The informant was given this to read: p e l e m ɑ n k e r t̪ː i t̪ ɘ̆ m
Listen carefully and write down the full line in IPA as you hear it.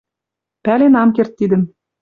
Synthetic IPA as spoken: p æ l e n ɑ m k e r t̪ː i d̪ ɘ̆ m